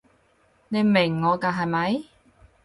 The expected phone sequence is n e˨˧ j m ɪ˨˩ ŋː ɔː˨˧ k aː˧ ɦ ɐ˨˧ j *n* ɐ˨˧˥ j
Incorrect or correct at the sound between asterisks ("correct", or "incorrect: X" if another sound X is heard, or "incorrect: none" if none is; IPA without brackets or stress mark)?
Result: incorrect: m